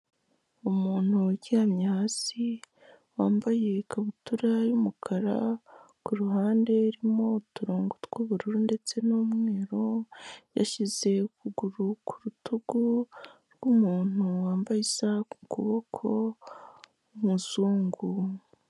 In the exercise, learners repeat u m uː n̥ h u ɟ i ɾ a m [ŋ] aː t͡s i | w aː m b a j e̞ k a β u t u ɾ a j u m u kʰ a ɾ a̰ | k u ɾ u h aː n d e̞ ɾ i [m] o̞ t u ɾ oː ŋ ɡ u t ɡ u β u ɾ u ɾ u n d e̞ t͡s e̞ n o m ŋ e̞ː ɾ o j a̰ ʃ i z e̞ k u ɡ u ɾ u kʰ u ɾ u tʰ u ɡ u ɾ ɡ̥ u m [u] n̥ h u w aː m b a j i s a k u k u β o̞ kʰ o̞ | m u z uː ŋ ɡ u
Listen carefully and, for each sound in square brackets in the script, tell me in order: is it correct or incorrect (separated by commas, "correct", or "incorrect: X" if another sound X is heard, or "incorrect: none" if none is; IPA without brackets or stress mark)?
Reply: incorrect: ɲ, correct, incorrect: uː